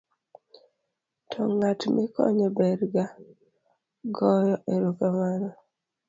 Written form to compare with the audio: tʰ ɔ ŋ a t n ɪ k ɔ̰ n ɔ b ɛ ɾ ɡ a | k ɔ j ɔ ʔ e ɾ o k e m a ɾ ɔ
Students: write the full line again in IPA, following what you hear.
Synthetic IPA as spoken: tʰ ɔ ŋ a t m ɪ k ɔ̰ ɲ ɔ b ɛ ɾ ɡ a | ɡ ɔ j ɔ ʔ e ɾ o k a m a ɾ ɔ